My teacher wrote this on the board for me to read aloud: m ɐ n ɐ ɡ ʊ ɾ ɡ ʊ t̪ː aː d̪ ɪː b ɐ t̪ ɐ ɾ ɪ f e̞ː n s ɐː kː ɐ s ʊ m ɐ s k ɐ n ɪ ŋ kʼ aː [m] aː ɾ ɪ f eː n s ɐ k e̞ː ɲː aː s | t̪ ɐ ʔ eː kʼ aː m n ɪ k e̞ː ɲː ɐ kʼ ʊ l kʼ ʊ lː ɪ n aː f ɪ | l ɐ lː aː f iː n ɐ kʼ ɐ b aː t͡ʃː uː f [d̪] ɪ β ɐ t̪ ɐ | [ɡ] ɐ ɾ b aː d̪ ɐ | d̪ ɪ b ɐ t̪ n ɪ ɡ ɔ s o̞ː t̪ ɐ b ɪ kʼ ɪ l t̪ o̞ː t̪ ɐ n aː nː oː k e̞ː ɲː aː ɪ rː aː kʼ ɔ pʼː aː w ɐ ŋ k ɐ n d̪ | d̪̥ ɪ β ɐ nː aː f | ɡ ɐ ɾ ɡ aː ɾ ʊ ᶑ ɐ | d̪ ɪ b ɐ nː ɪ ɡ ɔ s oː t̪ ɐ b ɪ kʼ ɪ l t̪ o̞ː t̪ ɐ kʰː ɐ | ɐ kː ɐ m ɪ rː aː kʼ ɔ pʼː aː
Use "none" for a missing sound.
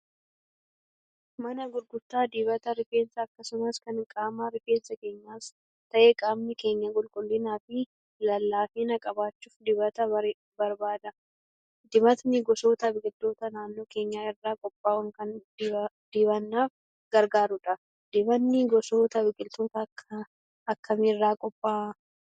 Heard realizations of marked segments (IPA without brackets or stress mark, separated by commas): m, d̪, b